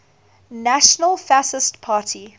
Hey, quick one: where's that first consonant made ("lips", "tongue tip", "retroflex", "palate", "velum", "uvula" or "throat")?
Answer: tongue tip